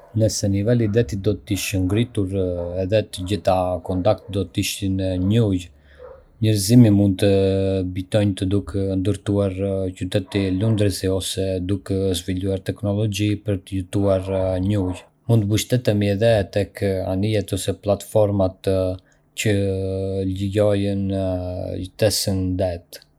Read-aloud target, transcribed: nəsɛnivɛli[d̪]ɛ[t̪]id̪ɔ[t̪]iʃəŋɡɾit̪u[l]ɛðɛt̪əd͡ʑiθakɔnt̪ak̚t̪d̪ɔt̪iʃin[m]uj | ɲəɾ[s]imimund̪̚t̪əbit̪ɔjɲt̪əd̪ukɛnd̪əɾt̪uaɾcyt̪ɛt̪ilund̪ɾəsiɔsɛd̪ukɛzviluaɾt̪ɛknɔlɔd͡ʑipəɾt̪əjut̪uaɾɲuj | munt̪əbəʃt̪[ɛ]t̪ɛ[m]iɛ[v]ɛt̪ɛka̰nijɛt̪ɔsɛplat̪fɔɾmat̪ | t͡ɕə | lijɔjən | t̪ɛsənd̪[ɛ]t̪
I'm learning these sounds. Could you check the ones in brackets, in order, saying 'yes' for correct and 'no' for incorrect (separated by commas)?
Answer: yes, yes, yes, no, no, no, yes, yes, no, yes